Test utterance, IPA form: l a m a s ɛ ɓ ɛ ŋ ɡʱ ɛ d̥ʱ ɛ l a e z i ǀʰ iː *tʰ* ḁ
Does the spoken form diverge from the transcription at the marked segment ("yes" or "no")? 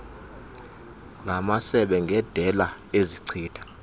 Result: no